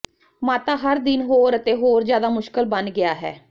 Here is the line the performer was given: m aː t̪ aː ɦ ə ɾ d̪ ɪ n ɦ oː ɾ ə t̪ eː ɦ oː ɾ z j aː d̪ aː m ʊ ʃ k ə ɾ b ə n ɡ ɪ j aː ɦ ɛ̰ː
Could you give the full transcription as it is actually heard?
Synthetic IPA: m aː t̪ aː ɦ ə ɾ d̪ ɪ n ɦ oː ɾ ə t̪ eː ɦ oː ɾ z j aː d̪ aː m ʊ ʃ k ə l b ə n ɡ ɪ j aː ɦ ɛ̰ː

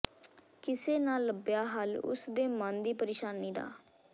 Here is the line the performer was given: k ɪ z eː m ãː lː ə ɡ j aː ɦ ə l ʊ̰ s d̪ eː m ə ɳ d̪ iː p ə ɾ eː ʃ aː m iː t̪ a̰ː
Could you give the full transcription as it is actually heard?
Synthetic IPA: k ɪ s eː n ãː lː ə b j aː ɦ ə l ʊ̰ s d̪ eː m ə n d̪ iː p ə ɾ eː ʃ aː n iː d̪ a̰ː

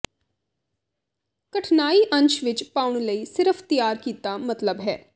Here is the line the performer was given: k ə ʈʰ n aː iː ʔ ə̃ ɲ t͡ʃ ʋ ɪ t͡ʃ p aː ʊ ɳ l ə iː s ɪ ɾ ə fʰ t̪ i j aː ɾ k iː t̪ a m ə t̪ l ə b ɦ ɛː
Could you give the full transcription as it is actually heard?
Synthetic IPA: k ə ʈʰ n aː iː ʔ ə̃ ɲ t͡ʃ ʋ ɪ t͡ʃ p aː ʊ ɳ l ə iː s ɪ ɾ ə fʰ t̪ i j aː ɾ k iː t̪ a m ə t̪ l ə b ɦ ɛː

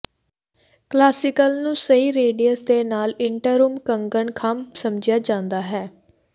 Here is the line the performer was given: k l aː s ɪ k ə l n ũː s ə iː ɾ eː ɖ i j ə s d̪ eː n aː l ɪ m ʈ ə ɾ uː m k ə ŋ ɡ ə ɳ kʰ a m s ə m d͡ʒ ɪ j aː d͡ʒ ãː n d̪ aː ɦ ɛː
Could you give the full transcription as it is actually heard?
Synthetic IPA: k l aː s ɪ k ə l n ũː s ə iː ɾ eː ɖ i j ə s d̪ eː n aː l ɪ ɳ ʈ ə ɾ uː m k ə ŋ ɡ ə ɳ kʰ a m s ə m d͡ʒ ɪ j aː d͡ʒ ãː n d̪ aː ɦ ɛː

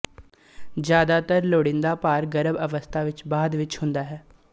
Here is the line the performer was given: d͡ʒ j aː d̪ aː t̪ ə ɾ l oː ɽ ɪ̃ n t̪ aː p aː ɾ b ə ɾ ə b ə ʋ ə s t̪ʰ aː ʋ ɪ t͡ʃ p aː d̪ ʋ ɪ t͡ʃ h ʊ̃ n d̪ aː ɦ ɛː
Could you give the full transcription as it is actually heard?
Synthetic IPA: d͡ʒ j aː d̪ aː t̪ ə ɾ l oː ɽ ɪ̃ n d̪ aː p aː ɾ ɡ ə ɾ ə b ə ʋ ə s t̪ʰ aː ʋ ɪ t͡ʃ b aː d̪ ʋ ɪ t͡ʃ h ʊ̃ n d̪ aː ɦ ɛː

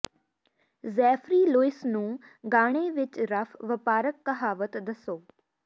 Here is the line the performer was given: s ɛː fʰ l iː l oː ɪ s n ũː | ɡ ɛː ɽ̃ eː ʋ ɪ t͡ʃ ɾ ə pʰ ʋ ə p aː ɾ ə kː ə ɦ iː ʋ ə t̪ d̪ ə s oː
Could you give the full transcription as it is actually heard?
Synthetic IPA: z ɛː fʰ ɾ iː l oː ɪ s n ũː | ɡ aː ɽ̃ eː ʋ ɪ t͡ʃ ɾ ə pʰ ʋ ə p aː ɾ ə kː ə ɦ aː ʋ ə t̪ d̪ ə s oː

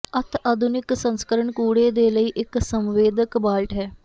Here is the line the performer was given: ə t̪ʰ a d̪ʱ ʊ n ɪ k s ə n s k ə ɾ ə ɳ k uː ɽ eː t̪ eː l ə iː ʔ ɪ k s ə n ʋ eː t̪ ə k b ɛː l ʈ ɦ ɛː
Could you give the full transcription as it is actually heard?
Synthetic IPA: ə t̪ʰ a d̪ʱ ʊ n ɪ k s ə n s k ə ɾ ə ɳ k uː ɽ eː d̪ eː l ə iː ʔ ɪ k s ə m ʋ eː d̪ ə k b aː l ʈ ɦ ɛː

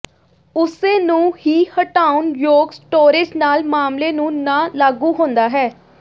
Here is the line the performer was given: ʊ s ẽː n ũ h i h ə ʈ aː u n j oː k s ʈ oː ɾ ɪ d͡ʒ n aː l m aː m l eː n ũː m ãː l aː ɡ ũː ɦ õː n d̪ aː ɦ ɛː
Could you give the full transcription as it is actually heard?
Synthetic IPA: ʊ s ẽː n ũː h iː h ə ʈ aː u n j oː ɡ s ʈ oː ɾ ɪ d͡ʒ n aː l m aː m l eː n ũː n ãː l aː ɡ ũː ɦ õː n d̪ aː ɦ ɛː

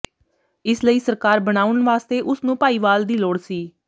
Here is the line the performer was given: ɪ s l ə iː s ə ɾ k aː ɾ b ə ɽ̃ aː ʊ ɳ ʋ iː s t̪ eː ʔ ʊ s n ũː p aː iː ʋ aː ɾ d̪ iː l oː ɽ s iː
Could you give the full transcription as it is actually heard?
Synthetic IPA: ɪ s l ə iː s ə ɾ k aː ɾ b ə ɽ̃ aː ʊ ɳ ʋ aː s t̪ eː ʔ ʊ s n ũː p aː iː ʋ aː l d̪ iː l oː ɽ s iː

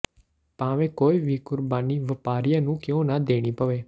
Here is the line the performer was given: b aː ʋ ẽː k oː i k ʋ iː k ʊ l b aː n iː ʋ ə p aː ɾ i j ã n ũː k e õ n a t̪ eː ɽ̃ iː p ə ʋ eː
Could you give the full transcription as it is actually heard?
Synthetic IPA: p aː ʋ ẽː k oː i ʋ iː k ʊ ɾ b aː n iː ʋ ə p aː ɾ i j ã n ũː k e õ n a d̪ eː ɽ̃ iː p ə ʋ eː

